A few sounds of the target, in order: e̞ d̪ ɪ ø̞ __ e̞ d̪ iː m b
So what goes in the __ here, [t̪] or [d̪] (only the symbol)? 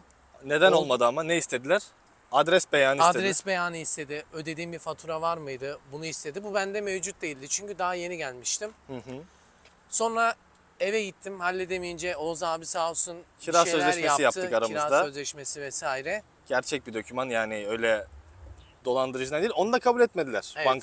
d̪